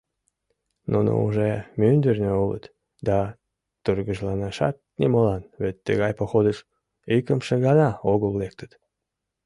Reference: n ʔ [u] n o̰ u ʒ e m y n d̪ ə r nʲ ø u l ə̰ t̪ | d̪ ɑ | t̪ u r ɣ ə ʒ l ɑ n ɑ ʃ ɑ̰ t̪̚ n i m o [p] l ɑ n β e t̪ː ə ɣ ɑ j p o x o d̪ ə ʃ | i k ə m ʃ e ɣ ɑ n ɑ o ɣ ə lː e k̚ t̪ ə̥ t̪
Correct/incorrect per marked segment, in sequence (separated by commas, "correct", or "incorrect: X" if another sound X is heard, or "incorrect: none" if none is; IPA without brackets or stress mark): correct, incorrect: none